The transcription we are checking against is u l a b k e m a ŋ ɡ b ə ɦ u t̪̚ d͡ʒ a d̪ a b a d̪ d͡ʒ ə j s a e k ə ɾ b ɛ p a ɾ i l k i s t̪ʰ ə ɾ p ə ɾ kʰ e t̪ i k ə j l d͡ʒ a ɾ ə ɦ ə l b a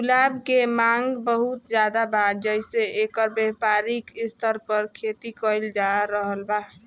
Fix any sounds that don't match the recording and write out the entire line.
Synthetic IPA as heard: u l a b k e m a ŋ ɡ b ə ɦ u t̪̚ d͡ʒ a d̪ a b a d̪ d͡ʒ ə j s e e k ə ɾ b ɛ p a ɾ i k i s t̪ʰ ə ɾ p ə ɾ kʰ e t̪ i k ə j l d͡ʒ a ɾ ə ɦ ə l b a